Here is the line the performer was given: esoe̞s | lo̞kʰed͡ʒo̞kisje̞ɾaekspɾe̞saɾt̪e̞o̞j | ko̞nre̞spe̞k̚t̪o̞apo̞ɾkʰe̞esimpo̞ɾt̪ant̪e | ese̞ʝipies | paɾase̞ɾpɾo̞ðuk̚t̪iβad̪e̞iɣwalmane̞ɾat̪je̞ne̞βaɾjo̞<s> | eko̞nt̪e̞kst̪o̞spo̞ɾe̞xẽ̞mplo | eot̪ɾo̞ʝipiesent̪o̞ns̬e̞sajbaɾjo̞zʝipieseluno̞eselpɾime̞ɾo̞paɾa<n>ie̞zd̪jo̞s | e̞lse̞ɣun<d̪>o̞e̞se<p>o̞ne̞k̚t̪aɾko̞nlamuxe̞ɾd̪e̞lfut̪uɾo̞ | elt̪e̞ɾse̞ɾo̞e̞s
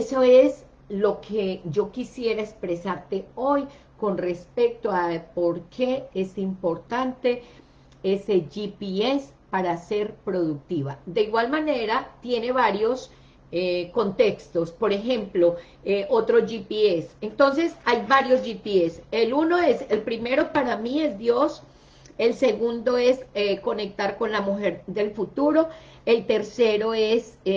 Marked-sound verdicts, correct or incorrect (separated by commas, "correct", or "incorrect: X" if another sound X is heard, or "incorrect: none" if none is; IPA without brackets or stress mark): correct, incorrect: m, correct, incorrect: k